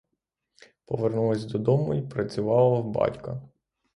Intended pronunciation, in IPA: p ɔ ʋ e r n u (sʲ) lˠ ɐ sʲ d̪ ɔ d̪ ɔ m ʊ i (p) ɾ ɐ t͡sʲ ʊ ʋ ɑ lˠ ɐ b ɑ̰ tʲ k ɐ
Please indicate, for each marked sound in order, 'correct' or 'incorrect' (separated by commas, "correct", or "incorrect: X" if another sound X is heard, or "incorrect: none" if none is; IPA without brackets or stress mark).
incorrect: none, correct